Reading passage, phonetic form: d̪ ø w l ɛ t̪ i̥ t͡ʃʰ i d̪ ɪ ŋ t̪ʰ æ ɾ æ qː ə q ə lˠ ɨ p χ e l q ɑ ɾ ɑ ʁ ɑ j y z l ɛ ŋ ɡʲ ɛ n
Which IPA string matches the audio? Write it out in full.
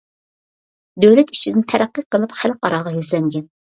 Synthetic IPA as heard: d̪ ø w l ɛ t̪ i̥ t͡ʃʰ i d̪ ɪ n t̪ʰ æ ɾ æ qː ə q ə lˠ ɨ p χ æ l q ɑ ɾ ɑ ʁ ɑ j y z l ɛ ŋ ɡʲ ɛ n